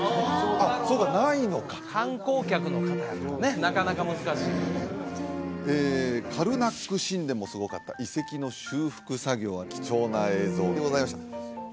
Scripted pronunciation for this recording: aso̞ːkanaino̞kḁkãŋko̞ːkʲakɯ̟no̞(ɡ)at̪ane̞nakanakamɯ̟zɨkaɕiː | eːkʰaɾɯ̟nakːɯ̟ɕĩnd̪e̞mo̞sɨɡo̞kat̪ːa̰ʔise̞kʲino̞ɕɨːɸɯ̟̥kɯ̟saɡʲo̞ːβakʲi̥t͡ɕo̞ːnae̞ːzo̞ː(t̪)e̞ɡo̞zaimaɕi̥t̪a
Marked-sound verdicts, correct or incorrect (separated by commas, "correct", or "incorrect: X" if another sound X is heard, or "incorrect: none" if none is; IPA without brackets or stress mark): incorrect: k, incorrect: d̪